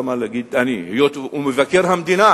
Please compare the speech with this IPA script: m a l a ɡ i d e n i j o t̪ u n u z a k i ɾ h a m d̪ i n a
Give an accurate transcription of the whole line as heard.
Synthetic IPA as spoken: m a l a ɡ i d a n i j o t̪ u m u v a k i ɾ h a m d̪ i n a